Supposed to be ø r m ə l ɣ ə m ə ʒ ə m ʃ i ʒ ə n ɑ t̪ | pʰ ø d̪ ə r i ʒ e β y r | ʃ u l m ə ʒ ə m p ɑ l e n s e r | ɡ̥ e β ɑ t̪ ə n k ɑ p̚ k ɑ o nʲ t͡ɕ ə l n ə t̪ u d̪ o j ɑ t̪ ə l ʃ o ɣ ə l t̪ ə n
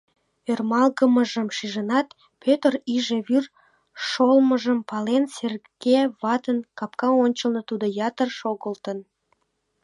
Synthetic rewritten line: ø r m ɑ l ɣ ə m ə ʒ ə m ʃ i ʒ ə n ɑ t̪ | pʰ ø t̪ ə r i ʒ e β y r | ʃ o l m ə ʒ ə m p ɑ l e n s e r | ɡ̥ e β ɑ t̪ ə n k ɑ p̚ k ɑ o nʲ t͡ɕ ə l n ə t̪ u d̪ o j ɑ t̪ ə r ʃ o ɣ ə l t̪ ə n